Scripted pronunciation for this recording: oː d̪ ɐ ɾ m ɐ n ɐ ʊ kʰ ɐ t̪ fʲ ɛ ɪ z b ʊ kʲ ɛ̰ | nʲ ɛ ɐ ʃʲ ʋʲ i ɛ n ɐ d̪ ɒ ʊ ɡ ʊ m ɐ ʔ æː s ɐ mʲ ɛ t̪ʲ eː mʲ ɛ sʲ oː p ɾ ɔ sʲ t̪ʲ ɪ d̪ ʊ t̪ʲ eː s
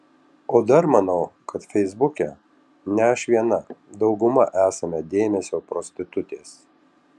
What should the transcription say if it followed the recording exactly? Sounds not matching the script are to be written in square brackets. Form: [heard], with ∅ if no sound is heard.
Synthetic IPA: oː d̪ ɐ ɾ m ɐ n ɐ ʊ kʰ ɐ t̪ fʲ ɛ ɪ z b ʊ kʲ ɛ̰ | nʲ ɛ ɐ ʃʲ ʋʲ i ɛ n ɐ d̪ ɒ ʊ ɡ ʊ m ɐ ʔ æː s ɐ mʲ ɛ [d̪ʲ] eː mʲ ɛ sʲ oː p ɾ ɔ sʲ t̪ʲ ɪ [t̪] ʊ t̪ʲ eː s